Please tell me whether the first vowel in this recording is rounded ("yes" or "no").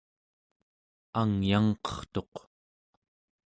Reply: no